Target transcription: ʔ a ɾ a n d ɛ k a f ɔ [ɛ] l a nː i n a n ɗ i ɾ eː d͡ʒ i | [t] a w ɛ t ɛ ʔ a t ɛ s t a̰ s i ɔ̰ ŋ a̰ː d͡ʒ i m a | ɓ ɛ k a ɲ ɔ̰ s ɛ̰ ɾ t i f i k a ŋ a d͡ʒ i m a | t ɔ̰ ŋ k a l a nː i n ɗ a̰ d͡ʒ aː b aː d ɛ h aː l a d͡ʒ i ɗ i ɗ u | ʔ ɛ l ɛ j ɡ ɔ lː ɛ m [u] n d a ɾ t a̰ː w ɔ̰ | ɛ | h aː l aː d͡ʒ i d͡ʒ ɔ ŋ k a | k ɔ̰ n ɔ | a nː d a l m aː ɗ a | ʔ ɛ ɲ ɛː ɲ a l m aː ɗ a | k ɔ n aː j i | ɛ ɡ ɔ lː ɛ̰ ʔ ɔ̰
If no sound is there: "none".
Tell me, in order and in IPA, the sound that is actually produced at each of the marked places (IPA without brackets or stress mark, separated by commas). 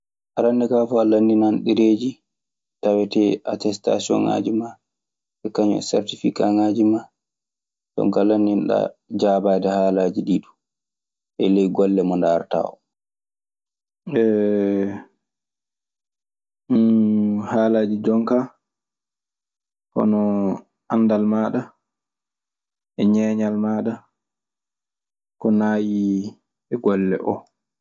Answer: a, t, ɔ